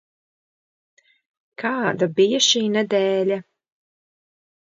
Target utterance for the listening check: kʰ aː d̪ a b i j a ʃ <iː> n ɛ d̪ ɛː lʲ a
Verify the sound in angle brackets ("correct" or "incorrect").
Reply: correct